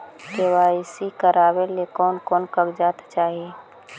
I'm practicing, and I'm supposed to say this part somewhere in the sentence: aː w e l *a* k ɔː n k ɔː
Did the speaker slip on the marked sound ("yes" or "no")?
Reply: yes